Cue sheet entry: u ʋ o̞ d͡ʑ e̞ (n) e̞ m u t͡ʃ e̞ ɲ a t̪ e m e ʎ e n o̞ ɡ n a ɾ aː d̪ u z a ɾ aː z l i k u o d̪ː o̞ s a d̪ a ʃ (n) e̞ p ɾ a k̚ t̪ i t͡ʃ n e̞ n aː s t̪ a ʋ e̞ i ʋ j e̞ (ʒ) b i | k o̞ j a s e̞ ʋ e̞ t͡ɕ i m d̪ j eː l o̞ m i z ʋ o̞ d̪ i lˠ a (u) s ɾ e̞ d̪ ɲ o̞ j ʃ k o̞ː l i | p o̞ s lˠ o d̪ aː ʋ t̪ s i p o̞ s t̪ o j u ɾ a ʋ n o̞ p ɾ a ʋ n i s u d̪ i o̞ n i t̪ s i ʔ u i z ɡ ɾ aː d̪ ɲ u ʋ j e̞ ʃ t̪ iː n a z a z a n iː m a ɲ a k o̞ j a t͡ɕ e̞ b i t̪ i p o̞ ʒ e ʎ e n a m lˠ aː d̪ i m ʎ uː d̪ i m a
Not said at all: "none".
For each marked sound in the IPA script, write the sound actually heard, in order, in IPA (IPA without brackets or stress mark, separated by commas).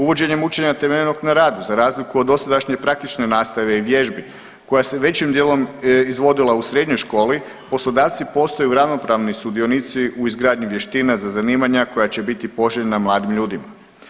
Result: ɲ, ɲ, ʒ, u